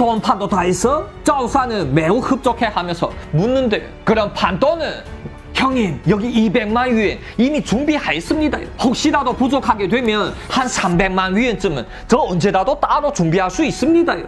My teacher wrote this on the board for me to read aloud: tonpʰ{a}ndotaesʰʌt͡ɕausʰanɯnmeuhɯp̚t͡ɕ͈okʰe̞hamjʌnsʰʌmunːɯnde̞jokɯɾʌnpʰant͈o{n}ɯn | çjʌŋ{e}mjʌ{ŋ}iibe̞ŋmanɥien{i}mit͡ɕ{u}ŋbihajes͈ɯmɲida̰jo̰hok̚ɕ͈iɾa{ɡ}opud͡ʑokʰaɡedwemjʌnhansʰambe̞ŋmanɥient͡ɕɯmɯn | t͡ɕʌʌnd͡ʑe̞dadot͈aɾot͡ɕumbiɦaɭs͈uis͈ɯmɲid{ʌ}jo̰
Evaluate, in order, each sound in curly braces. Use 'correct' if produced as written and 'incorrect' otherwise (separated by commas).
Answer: correct, correct, incorrect, incorrect, correct, correct, incorrect, incorrect